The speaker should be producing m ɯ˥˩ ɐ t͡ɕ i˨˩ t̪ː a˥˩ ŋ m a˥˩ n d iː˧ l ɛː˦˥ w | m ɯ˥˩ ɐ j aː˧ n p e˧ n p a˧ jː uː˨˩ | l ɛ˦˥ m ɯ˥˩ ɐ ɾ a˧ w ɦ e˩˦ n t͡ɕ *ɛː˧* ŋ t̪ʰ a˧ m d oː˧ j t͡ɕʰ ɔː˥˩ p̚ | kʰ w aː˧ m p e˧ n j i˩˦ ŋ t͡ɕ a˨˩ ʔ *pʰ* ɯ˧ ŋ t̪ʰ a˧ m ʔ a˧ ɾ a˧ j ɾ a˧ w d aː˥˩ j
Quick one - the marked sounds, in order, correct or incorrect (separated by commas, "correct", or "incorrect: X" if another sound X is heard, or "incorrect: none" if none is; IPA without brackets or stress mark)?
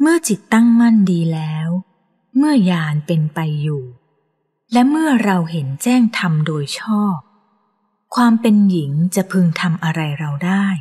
incorrect: ɛː˥˩, correct